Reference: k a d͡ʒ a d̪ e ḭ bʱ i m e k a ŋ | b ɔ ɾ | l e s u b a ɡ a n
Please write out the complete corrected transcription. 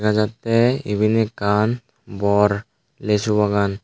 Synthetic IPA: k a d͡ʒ a t̪ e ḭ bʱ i n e k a n | b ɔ ɾ | l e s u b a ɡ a n